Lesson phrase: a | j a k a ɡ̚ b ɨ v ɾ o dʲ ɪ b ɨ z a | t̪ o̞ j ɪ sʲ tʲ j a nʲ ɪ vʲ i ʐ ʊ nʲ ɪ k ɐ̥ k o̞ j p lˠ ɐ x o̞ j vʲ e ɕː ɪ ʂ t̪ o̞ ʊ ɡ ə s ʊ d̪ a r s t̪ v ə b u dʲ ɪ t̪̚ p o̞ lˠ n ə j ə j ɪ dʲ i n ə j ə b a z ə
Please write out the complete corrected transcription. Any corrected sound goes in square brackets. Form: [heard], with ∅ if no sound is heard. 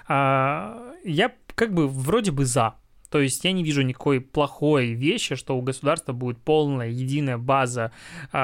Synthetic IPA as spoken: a | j a k a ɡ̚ b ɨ v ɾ o dʲ ɪ b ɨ z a | t̪ o̞ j ɪ sʲ tʲ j a nʲ ɪ vʲ i ʐ ʊ nʲ ɪ k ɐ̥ k o̞ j p lˠ ɐ x o̞ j vʲ e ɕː ɪ ʂ t̪ o̞ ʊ ɡ ə s ʊ d̪ a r s t̪ v ə b u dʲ ɪ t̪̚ p o̞ lˠ n ə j ə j ɪ dʲ i n ə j ə b a z ə